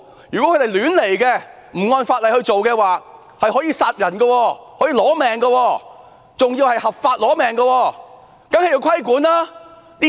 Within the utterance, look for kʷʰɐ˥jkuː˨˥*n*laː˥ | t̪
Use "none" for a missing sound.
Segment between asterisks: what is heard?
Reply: n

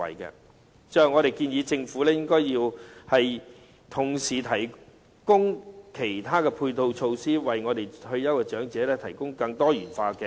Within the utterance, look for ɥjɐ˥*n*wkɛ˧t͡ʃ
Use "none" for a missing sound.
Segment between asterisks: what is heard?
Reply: none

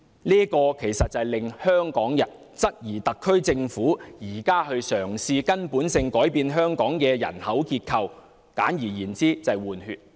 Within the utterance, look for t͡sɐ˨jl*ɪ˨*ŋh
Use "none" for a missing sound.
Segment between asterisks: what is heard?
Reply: ɪ˨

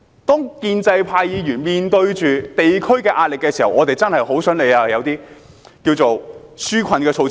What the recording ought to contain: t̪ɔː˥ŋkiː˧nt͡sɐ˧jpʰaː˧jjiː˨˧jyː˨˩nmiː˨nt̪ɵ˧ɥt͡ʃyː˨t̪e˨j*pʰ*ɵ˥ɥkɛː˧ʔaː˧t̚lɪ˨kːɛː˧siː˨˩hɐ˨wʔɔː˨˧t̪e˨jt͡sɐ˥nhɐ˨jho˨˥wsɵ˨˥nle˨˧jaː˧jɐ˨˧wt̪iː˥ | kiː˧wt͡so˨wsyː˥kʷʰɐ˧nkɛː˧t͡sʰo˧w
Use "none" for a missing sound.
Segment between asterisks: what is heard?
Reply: kʰ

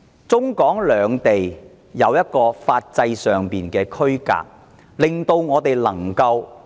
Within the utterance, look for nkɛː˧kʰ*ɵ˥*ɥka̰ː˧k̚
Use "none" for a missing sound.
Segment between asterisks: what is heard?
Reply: ɵ˥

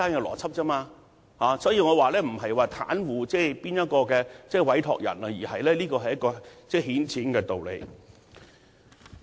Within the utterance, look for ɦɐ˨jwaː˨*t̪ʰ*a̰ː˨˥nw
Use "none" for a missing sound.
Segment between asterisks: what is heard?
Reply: t̪ʰ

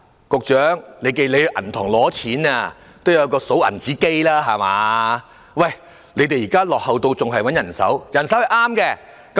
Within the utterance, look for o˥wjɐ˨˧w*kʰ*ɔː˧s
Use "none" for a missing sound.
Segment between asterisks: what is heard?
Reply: k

